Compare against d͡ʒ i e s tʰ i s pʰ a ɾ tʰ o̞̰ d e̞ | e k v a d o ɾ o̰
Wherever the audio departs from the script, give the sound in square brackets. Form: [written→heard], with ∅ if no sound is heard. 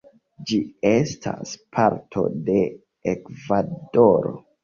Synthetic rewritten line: d͡ʒ i e s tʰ [i→a] s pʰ a ɾ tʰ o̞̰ d e̞ | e k v a d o ɾ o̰